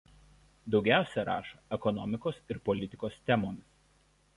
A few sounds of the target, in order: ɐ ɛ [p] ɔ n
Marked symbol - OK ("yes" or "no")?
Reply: no